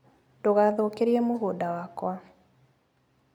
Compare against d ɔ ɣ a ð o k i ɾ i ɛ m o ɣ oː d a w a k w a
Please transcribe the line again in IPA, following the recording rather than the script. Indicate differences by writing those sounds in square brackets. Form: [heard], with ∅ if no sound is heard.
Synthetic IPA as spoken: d [o] ɣ a ð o k [e] ɾ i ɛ m o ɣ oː d a w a k w a